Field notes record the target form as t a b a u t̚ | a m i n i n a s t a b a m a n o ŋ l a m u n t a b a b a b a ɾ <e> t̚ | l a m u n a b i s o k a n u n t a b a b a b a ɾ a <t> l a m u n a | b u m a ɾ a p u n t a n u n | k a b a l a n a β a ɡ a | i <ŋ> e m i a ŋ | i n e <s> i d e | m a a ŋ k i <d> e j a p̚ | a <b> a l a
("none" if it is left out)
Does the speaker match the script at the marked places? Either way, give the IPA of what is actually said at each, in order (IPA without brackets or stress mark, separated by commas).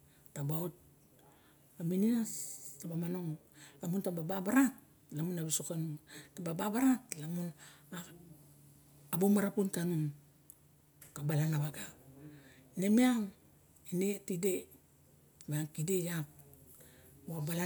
a, t, n, t, d, b